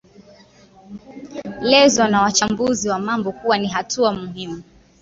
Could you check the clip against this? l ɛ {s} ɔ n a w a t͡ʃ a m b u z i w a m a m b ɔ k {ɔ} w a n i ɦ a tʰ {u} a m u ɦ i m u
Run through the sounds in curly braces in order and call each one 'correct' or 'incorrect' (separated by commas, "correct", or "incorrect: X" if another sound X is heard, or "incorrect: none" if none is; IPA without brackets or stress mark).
incorrect: z, incorrect: u, correct